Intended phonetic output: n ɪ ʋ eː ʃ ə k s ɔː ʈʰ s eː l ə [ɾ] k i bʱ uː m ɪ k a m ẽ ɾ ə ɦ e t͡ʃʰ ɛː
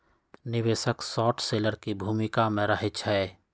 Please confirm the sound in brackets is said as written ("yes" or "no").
yes